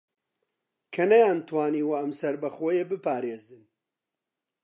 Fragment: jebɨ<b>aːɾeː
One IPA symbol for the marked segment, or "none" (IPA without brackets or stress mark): p